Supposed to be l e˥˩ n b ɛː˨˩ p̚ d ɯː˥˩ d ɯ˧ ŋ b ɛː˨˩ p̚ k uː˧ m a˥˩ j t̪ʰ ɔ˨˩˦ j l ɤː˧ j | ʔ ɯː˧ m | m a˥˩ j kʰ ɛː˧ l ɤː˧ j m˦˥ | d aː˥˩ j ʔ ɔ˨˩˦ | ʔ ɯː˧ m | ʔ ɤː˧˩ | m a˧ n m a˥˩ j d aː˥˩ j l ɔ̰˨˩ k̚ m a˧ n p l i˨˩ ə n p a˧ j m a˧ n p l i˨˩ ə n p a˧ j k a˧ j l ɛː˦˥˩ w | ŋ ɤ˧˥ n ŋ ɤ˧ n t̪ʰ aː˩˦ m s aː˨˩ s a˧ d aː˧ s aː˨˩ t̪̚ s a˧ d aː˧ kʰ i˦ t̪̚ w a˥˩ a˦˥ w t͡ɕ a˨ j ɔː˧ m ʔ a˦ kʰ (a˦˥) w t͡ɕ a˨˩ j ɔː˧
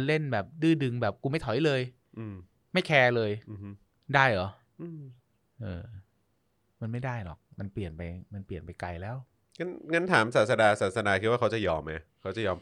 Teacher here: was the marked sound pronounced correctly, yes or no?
yes